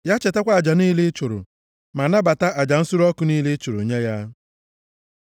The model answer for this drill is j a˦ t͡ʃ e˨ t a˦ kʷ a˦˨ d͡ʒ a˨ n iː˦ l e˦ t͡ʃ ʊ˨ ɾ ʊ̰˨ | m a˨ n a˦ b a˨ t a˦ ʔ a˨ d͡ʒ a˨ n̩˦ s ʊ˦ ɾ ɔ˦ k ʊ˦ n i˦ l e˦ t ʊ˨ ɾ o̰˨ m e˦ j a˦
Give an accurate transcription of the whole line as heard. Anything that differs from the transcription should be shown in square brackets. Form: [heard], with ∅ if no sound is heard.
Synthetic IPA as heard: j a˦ t͡ʃ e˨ t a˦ kʷ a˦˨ d͡ʒ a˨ n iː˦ l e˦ t͡ʃ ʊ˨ ɾ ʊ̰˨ | m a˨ n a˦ b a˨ t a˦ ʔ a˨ d͡ʒ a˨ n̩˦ s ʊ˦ ɾ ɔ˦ k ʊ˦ n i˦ l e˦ [t͡ʃ] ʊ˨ ɾ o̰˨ [ɲ] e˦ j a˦